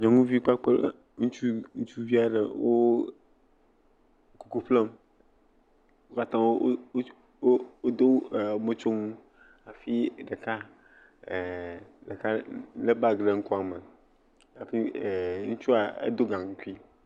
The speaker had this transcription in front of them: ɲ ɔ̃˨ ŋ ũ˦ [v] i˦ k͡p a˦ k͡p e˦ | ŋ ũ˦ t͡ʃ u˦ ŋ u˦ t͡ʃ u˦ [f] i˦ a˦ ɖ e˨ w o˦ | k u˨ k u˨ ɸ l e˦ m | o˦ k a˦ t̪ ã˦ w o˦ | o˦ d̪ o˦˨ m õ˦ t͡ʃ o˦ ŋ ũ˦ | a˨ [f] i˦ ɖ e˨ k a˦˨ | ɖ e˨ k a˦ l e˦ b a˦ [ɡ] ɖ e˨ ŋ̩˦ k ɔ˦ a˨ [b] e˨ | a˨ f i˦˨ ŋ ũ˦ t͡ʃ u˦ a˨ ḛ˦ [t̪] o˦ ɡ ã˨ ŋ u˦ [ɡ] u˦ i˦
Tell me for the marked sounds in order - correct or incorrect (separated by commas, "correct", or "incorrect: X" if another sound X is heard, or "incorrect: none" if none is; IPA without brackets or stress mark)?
correct, incorrect: v, correct, correct, incorrect: m, incorrect: d̪, incorrect: k